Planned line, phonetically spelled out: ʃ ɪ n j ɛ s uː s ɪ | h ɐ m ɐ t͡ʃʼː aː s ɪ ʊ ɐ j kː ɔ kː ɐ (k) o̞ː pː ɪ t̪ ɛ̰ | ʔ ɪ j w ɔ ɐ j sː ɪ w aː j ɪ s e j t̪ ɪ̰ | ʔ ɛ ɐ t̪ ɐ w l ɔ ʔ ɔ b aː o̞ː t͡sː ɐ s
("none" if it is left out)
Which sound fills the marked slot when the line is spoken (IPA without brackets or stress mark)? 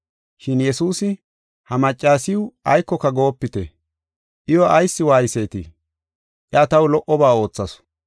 ɡ